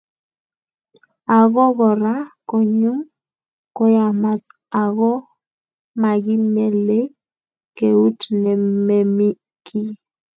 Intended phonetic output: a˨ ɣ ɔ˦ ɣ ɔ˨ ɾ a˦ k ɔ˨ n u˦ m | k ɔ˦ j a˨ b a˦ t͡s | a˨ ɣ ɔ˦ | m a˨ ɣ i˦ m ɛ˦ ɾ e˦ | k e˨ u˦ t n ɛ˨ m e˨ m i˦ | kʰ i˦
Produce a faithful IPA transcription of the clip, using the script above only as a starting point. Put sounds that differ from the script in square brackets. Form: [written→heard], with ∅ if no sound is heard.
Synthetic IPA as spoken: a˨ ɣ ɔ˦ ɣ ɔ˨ ɾ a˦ k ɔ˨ [n→ɲ] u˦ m | k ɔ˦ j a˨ [b→m] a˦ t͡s | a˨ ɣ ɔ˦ | m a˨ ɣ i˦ m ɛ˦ [ɾ→l] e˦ | k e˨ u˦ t n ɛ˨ m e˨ m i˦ | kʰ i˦